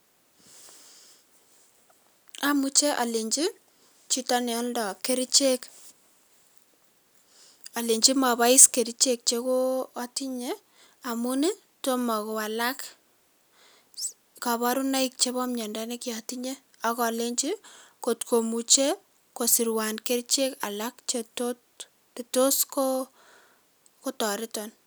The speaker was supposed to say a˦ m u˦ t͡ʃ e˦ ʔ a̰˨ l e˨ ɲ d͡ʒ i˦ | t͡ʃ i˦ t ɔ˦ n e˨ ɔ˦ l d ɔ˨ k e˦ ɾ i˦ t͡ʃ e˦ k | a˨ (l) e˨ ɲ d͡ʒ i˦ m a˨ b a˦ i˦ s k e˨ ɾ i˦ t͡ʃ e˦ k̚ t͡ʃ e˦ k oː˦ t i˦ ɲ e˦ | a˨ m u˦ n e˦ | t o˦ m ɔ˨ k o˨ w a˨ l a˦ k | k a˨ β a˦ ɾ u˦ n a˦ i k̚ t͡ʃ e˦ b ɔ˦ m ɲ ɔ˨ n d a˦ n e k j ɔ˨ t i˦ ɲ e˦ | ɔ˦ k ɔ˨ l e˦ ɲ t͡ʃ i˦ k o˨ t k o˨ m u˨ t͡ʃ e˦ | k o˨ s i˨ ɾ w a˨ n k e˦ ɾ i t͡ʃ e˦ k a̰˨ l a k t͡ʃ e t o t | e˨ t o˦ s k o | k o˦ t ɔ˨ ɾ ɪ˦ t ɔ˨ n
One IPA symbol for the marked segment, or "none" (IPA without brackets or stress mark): l